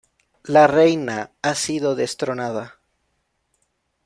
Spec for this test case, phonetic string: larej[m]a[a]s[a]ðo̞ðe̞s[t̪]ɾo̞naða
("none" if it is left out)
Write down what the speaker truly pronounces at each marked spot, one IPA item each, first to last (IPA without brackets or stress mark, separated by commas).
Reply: n, a, i, t̪